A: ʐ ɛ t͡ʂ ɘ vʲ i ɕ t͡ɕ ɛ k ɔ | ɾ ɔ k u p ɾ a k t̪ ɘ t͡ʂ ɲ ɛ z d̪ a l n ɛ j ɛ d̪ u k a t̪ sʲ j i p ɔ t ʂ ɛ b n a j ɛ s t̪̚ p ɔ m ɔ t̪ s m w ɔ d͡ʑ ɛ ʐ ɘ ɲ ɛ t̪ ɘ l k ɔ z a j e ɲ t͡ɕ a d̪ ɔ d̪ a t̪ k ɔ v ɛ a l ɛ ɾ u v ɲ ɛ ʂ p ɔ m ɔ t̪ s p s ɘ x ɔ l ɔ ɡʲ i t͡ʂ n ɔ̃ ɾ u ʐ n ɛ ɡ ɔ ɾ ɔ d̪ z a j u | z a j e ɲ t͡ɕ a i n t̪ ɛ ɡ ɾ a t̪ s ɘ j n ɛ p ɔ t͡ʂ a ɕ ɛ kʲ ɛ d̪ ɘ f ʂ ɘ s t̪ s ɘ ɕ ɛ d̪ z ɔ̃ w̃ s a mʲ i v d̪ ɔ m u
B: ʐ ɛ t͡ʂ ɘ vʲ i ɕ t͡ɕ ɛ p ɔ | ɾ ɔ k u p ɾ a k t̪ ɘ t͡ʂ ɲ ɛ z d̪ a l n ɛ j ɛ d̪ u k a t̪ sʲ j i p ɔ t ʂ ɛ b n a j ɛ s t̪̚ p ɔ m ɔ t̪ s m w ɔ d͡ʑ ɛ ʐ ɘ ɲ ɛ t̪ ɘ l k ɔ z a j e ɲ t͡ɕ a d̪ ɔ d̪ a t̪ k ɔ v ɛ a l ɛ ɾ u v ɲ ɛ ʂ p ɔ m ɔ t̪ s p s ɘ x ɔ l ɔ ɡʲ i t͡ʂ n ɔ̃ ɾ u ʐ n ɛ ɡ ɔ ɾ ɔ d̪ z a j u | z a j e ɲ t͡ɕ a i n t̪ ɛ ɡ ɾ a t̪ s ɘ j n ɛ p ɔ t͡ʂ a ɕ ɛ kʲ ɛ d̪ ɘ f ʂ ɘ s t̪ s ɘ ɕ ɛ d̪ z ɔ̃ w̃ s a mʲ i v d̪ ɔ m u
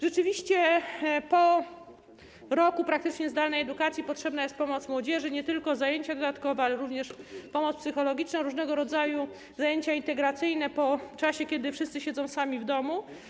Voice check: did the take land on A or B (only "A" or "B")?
B